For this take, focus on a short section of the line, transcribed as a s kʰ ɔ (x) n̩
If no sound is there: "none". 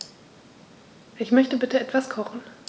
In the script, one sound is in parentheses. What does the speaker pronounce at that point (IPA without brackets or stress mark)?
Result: χ